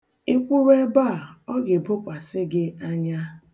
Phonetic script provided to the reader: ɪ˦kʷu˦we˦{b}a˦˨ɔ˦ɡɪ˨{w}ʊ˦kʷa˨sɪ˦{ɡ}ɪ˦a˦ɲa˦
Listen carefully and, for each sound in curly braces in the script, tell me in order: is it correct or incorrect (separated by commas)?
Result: correct, incorrect, correct